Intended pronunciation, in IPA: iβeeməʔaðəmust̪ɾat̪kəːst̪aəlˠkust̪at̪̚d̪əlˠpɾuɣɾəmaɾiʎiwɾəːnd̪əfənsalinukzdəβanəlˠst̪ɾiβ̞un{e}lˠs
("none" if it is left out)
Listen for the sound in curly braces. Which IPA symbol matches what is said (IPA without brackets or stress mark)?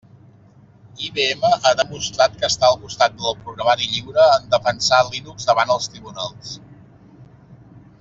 a